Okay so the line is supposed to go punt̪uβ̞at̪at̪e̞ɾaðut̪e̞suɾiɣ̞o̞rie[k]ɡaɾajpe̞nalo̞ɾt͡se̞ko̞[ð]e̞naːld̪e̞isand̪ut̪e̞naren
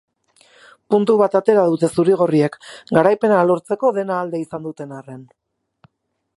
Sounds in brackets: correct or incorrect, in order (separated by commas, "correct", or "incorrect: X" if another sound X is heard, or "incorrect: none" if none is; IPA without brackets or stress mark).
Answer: correct, correct